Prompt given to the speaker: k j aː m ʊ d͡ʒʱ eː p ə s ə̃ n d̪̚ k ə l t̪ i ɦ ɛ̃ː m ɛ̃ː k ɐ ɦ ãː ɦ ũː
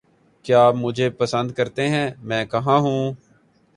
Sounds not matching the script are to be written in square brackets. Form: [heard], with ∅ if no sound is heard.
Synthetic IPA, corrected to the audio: k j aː m ʊ d͡ʒʱ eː p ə s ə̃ n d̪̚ k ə [ɾ] t̪ [e] ɦ ɛ̃ː m ɛ̃ː k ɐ ɦ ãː ɦ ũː